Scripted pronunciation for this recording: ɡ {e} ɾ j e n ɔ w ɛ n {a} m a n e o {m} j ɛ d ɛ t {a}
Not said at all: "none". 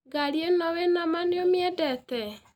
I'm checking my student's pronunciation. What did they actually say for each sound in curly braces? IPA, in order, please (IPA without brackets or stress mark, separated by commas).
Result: a, a, m, ɛ